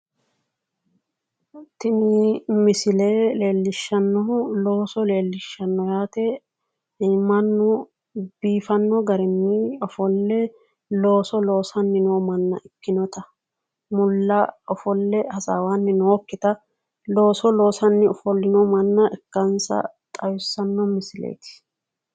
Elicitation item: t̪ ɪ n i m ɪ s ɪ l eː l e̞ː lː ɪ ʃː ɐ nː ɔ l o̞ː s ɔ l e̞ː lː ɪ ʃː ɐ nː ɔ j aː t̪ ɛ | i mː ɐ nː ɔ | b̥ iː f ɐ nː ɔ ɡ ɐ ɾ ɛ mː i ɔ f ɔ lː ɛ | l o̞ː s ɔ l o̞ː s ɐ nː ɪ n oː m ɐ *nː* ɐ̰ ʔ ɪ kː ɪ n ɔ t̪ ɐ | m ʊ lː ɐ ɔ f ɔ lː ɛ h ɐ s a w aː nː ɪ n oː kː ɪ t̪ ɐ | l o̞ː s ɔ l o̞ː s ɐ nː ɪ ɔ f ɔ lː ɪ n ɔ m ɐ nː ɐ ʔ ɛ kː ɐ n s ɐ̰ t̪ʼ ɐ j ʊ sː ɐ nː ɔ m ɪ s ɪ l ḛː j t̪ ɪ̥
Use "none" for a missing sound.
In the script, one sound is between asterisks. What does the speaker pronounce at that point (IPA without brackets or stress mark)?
nː